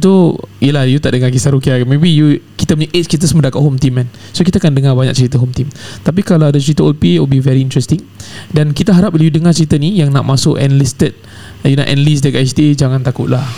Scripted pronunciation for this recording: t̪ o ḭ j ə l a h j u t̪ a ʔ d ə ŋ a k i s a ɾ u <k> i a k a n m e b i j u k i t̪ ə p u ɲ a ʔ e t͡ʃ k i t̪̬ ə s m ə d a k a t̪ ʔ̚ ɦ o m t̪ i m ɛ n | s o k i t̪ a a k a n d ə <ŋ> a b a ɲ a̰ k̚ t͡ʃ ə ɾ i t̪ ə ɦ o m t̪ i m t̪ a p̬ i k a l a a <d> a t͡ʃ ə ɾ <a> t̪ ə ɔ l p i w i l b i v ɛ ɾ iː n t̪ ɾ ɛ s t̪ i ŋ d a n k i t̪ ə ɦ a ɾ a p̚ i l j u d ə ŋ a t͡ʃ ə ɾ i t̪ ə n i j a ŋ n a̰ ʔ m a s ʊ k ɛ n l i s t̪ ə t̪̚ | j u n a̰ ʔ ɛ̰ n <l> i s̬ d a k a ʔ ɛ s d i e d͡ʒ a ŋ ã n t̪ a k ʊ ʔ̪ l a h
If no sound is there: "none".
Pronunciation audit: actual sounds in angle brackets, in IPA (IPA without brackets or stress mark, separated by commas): k, ŋ, d, i, l